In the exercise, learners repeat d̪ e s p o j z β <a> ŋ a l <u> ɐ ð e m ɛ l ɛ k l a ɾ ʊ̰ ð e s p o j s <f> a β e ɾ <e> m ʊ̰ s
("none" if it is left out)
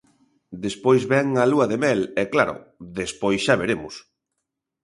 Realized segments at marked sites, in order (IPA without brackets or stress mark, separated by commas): ɛ, u, ʃ, e